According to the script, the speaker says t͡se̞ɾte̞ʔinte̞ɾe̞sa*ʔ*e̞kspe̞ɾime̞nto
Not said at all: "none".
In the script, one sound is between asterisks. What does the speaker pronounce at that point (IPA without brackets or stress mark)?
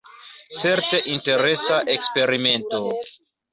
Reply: ʔ